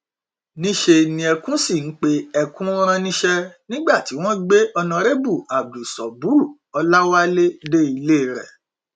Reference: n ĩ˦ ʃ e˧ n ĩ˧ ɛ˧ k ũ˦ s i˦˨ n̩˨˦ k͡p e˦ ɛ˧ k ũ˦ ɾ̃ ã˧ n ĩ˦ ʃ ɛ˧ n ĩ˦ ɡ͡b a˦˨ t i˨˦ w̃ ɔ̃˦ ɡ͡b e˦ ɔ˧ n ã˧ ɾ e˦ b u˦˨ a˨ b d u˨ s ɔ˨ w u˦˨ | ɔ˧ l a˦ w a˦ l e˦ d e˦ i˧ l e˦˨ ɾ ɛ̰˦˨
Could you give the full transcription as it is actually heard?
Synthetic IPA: n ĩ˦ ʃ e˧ n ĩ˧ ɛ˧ k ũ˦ s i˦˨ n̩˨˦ k͡p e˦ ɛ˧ k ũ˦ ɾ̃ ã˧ n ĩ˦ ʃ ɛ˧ n ĩ˦ ɡ͡b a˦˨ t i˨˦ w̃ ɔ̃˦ ɡ͡b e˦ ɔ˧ n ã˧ ɾ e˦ b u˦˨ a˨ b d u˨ s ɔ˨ b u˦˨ | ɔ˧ l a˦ w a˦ l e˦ d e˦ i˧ l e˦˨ ɾ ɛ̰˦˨